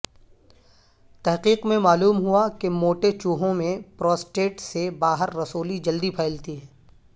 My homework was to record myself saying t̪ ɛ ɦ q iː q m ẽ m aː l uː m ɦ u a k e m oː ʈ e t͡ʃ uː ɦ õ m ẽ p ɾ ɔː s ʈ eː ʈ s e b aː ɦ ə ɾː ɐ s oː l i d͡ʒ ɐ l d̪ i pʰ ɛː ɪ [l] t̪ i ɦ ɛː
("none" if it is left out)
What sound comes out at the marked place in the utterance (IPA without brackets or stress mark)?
l